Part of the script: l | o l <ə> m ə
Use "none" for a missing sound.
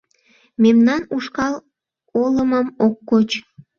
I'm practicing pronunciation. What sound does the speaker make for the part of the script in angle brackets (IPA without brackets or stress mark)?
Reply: ə